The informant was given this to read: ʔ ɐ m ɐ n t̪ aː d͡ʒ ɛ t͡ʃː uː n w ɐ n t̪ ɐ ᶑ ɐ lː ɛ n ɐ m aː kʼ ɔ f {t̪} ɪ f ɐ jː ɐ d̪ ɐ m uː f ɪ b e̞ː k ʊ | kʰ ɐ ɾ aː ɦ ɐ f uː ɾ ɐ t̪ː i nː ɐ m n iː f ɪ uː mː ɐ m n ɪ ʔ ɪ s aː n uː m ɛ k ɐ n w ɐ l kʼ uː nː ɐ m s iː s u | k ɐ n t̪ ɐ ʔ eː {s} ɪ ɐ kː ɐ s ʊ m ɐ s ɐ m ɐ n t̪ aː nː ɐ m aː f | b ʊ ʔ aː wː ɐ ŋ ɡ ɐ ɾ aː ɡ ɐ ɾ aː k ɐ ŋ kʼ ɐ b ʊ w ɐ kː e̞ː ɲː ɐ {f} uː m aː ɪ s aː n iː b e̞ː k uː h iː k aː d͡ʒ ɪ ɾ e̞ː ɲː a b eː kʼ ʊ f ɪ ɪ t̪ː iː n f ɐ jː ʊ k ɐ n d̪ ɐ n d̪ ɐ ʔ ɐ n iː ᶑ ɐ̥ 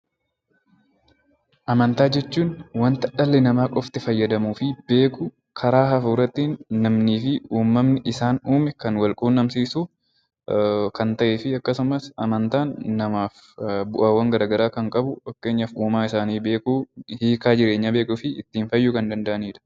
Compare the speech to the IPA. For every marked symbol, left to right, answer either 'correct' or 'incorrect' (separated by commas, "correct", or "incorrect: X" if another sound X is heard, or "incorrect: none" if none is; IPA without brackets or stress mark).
correct, incorrect: f, correct